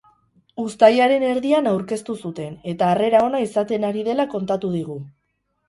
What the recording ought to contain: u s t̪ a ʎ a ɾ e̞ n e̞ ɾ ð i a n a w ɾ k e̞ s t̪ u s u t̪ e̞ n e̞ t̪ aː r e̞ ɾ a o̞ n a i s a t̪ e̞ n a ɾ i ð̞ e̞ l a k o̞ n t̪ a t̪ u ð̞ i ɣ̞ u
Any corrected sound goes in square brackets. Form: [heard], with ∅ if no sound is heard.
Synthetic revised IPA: u s t̪ a [j] a ɾ e̞ n e̞ ɾ ð i a n a w ɾ k e̞ s t̪ u s u t̪ e̞ n e̞ t̪ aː r e̞ ɾ a o̞ n a i s a t̪ e̞ n a ɾ i ð̞ e̞ l a k o̞ n t̪ a t̪ u ð̞ i ɣ̞ u